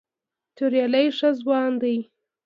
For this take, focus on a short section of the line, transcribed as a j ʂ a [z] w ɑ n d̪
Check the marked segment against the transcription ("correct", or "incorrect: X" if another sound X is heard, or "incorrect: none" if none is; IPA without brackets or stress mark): correct